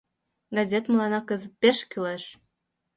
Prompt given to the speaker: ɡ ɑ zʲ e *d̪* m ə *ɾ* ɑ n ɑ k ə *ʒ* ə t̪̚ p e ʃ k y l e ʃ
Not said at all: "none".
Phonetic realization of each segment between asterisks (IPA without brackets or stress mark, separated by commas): t̪, l, z